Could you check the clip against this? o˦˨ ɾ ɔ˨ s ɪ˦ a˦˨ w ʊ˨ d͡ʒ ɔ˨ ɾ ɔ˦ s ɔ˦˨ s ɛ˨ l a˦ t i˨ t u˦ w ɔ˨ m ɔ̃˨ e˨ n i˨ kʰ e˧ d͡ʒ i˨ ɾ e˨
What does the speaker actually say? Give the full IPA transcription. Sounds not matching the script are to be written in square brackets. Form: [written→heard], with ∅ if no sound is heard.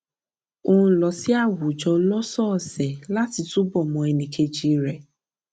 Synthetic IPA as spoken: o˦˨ [ɾ→l] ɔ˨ s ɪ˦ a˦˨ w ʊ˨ d͡ʒ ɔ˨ [ɾ→l] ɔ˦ s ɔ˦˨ s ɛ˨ l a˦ t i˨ t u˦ [w→b] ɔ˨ m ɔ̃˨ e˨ n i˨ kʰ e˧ d͡ʒ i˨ ɾ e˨